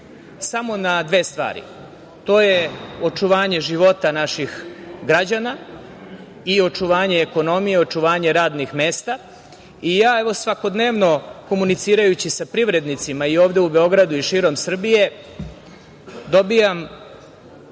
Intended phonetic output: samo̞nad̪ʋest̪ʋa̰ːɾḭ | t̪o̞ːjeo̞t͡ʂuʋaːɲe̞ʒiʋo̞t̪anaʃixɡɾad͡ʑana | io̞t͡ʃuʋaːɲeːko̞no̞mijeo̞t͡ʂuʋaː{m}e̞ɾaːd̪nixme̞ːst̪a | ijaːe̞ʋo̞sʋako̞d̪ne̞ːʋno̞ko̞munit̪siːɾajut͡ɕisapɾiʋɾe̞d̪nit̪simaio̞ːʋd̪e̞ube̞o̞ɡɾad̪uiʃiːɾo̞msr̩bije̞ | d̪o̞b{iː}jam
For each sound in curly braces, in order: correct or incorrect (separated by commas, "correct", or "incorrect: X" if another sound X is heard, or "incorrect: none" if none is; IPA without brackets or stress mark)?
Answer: incorrect: ɲ, incorrect: i